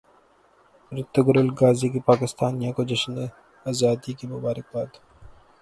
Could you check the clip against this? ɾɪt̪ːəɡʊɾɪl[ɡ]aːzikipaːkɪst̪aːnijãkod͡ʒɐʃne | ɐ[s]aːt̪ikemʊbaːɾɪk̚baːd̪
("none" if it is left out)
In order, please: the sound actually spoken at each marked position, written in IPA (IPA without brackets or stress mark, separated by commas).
ɡ, z